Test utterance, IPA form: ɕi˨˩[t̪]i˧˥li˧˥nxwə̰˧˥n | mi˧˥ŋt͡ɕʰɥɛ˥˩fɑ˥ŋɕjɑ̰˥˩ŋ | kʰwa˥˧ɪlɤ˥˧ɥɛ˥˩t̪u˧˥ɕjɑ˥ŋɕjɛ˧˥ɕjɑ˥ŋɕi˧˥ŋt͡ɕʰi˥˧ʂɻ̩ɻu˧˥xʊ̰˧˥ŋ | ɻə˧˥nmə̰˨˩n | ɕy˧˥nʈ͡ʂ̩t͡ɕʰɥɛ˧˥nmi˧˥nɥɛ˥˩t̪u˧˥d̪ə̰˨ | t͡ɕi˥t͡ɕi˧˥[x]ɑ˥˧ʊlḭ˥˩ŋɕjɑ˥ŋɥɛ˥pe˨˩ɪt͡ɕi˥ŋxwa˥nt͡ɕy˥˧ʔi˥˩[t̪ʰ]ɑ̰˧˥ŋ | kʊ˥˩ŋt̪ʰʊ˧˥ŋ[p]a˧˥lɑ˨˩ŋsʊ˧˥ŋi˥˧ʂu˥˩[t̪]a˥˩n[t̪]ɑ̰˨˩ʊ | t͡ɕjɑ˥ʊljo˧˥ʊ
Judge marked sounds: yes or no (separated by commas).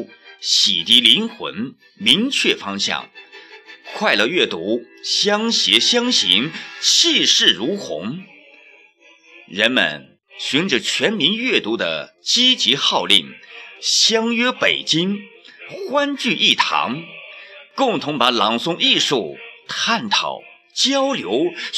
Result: yes, yes, yes, yes, no, no